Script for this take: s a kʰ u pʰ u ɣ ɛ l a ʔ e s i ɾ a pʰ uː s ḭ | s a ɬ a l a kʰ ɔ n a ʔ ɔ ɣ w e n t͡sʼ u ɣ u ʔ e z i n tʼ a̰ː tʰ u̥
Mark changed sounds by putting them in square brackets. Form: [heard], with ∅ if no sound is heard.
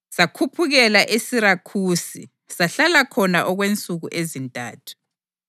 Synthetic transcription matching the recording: s a kʰ u pʰ u ɣ ɛ l a ʔ e s i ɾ a [kʰ] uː s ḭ | s a ɬ a l a kʰ ɔ n a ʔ ɔ ɣ w e n t͡sʼ u ɣ u ʔ e z i n tʼ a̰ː tʰ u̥